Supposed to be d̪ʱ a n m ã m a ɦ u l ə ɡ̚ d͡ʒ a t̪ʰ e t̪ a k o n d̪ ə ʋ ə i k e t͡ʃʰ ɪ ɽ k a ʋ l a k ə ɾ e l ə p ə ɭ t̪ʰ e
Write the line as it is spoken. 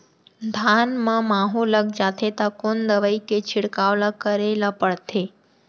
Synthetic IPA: d̪ʱ a n m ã m a ɦ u l ə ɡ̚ d͡ʒ a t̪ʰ e t̪ a k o n d̪ ə ʋ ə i k e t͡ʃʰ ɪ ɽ k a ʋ l a k ə ɾ e l a p ə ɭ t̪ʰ e